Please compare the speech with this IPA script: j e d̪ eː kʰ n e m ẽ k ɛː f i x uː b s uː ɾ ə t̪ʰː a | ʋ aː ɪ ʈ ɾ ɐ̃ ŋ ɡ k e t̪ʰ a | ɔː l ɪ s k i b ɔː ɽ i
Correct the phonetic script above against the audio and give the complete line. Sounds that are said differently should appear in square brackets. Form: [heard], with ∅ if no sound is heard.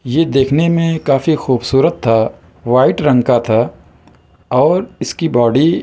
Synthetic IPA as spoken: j e d̪ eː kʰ n e m ẽ k [aː] f i x uː b s uː ɾ ə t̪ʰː a | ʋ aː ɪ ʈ ɾ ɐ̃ ŋ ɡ k [a] t̪ʰ a | ɔː [ɾ] ɪ s k i b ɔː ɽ i